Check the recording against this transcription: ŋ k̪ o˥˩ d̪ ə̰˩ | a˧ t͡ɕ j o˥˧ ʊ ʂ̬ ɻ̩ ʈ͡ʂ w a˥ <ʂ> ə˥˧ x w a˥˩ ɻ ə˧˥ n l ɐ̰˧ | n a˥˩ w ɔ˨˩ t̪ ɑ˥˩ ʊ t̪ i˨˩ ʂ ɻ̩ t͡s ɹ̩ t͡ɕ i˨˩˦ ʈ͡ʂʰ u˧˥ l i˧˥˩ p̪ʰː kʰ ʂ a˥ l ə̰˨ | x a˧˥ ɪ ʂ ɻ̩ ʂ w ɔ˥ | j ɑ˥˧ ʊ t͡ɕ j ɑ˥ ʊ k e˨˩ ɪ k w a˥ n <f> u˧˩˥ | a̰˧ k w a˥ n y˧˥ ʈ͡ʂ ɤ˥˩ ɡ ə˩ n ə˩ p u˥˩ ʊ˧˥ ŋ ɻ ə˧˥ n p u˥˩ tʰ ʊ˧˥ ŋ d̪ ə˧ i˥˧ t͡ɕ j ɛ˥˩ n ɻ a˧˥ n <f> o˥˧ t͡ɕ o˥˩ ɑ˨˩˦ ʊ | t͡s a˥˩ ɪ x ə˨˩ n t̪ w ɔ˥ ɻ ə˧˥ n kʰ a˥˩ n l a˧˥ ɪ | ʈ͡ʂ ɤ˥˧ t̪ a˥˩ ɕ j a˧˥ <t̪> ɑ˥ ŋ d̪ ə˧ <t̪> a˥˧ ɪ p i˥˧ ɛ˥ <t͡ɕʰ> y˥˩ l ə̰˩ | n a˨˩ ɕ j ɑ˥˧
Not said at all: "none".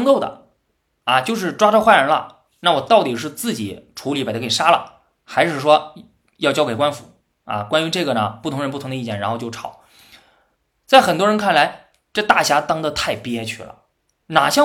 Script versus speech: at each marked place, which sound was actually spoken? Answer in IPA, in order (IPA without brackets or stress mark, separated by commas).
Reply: ʈ͡ʂ, f, x, t̪, t̪ʰ, t͡ɕʰ